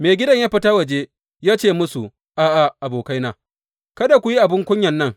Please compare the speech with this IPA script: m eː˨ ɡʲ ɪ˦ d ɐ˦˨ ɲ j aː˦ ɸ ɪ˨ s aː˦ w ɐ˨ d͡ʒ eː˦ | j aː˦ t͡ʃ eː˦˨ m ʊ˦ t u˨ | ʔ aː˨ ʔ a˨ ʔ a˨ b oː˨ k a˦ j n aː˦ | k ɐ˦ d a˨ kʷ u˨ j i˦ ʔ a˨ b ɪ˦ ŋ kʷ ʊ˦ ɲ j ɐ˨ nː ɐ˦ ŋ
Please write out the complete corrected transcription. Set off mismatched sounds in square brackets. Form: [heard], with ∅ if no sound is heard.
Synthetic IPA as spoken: m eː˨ ɡʲ ɪ˦ d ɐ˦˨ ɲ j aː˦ ɸ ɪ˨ [t] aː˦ w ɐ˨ d͡ʒ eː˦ | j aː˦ t͡ʃ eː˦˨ m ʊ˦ [s] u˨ | ʔ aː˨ ʔ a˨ ʔ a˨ b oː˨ k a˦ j n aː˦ | k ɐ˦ d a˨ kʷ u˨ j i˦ ʔ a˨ b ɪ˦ ŋ kʷ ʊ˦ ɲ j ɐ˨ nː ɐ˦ ŋ